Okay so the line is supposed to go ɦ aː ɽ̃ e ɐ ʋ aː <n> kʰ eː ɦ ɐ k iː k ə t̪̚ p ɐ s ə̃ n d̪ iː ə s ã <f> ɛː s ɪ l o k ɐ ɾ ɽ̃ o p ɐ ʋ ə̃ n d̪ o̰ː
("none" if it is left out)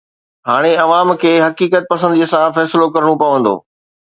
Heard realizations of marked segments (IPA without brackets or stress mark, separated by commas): m, f